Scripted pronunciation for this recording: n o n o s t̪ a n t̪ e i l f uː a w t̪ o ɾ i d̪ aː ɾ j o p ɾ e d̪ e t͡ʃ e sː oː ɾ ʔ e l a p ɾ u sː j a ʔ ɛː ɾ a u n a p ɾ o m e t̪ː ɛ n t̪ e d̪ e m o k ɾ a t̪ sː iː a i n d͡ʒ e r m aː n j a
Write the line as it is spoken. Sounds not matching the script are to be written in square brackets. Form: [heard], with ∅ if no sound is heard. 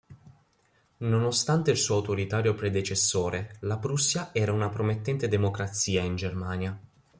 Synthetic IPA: n o n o s t̪ a n t̪ e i l [s] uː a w t̪ o ɾ i [t̪] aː ɾ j o p ɾ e d̪ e t͡ʃ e sː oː ɾ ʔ e l a p ɾ u sː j a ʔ ɛː ɾ a u n a p ɾ o m e t̪ː ɛ n t̪ e d̪ e m o k ɾ a t̪ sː iː a i n d͡ʒ e r m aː n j a